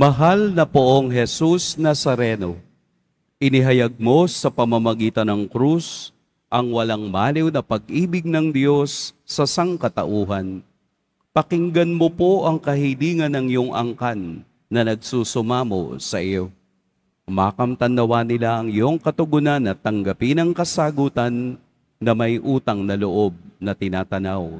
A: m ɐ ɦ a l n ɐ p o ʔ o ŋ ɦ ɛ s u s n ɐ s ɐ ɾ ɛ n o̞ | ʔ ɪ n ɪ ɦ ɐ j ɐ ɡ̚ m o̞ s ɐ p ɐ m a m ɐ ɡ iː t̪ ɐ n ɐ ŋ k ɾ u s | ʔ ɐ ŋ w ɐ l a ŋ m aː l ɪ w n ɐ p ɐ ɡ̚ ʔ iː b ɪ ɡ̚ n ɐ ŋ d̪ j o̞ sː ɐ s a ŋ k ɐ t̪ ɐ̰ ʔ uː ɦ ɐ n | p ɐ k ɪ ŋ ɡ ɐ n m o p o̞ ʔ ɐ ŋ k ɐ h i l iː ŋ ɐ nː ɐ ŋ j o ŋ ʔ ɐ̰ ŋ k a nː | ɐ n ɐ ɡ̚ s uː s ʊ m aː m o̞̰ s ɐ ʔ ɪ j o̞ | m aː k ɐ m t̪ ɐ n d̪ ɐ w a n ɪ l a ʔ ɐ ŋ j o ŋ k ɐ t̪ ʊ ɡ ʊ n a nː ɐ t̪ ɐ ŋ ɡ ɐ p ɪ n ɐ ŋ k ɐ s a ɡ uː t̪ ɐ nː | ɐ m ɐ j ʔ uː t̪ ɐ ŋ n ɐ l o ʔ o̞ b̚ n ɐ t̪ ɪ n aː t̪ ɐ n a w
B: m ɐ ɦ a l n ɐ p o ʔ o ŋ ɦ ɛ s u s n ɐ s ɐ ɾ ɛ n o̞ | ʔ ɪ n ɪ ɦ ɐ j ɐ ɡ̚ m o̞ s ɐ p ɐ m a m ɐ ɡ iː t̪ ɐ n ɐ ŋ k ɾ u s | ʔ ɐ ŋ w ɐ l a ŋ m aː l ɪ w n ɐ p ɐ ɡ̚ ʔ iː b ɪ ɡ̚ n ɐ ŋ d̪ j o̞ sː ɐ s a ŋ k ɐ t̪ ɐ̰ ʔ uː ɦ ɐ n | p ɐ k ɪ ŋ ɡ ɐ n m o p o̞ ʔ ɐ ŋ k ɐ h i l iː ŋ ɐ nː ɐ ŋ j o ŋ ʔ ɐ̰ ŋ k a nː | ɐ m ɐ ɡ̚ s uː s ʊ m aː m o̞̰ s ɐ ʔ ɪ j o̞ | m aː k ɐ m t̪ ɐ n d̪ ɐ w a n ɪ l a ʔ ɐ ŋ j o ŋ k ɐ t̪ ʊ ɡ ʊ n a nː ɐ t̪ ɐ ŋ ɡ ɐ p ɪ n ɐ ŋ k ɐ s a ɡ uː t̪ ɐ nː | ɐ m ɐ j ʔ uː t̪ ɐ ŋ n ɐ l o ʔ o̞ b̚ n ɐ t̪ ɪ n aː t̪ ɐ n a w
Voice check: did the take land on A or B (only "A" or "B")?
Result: A